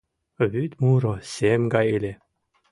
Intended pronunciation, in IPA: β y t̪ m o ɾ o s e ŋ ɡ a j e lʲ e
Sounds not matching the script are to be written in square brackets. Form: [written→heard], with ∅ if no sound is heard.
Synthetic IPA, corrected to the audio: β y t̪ m [o→u] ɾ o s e [ŋ→m] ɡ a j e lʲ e